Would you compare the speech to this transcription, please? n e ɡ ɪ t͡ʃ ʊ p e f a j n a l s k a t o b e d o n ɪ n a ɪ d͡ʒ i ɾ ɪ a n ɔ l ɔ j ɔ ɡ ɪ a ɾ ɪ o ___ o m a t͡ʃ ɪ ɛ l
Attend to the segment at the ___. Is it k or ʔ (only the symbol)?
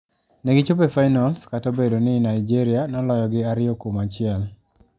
k